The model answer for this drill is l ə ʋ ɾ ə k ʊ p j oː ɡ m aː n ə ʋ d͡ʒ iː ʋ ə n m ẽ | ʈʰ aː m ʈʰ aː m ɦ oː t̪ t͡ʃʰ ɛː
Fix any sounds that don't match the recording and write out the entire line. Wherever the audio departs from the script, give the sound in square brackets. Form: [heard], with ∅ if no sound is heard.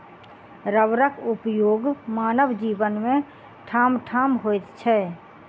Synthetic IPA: [ɾ] ə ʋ ɾ ə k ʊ p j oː ɡ m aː n ə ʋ d͡ʒ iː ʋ ə n m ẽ | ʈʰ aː m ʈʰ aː m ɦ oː t̪ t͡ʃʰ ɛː